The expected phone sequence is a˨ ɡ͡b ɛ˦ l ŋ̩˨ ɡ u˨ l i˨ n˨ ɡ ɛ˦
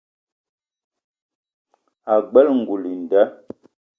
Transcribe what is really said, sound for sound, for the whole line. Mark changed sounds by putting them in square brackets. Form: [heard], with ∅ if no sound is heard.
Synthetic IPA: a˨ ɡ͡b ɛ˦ l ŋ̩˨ ɡ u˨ l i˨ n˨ [d] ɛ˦